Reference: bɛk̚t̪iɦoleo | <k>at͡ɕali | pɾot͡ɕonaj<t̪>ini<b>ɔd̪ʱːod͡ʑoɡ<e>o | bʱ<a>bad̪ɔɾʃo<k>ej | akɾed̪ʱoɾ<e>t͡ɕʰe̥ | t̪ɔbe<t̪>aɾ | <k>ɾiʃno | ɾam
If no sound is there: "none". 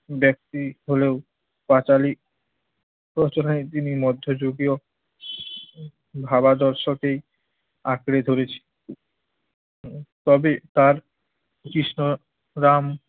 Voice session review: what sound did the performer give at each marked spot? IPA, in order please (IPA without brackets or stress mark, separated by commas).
p, t̪, m, i, a, k, e, t̪, k